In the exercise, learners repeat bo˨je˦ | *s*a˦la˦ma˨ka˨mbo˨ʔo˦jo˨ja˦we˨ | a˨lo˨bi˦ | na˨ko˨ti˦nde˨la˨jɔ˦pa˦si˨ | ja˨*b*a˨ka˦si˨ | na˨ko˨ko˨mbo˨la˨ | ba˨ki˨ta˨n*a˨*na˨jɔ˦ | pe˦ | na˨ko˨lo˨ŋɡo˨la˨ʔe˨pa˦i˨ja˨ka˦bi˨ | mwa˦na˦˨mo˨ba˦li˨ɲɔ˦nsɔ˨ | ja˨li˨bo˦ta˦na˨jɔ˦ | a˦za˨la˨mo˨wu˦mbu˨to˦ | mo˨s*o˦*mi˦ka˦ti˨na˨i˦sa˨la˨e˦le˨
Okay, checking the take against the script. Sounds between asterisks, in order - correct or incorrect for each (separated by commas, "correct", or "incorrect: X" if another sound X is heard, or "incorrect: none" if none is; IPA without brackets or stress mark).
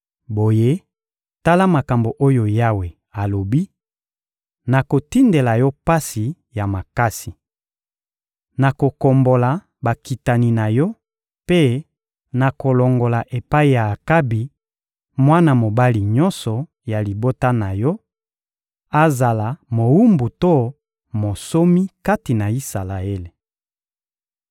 incorrect: t, incorrect: m, incorrect: i˨, correct